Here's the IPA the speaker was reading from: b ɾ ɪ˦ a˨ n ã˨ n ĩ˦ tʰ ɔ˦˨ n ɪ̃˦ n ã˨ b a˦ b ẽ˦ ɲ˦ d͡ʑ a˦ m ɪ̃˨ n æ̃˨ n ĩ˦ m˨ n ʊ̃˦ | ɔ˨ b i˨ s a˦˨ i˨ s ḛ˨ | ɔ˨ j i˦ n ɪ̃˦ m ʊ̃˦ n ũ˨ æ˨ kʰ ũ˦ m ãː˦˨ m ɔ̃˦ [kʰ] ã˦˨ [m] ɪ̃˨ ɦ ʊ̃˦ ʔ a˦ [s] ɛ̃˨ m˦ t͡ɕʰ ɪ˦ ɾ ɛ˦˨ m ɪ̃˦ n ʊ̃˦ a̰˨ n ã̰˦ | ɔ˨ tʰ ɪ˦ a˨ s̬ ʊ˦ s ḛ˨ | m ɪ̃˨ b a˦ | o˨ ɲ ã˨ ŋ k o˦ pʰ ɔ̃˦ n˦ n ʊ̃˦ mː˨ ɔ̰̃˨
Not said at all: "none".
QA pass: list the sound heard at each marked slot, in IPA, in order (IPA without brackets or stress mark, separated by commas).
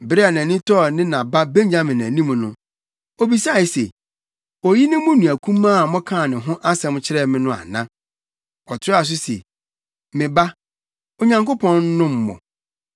kʰ, n, s